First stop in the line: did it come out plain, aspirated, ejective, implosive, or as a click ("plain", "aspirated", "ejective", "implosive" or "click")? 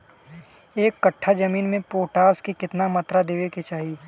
plain